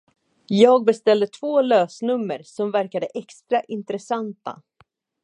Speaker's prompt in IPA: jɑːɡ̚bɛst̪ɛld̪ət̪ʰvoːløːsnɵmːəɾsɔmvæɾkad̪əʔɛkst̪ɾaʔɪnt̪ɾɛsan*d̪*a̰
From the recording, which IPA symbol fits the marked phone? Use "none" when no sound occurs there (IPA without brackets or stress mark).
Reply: t̪